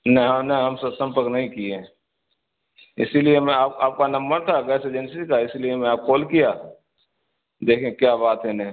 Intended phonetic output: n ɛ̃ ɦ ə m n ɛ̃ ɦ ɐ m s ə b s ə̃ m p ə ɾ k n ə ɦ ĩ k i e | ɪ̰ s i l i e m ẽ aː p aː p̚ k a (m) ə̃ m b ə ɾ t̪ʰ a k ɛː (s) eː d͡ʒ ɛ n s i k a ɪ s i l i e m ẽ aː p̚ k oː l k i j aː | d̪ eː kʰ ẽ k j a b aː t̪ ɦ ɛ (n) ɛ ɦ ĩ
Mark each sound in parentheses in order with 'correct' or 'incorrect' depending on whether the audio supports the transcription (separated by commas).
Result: incorrect, correct, correct